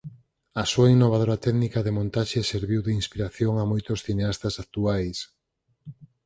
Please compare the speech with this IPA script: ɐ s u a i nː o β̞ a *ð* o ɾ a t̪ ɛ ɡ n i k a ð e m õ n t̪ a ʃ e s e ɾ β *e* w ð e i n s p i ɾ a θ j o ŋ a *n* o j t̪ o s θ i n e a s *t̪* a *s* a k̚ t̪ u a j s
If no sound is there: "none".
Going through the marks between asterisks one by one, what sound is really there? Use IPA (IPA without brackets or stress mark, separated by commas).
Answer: ð, i, m, t̪, s